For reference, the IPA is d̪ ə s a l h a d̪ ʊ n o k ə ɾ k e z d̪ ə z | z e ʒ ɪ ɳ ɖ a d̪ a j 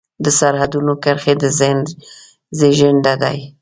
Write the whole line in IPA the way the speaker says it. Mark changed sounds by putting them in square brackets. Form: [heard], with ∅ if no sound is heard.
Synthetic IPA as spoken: d̪ ə s a [ɾ] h a d̪ [u] n o k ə ɾ [x] e [∅] d̪ ə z | z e ʒ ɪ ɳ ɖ a d̪ a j